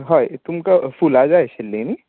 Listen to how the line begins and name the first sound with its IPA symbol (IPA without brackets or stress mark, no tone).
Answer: ɦ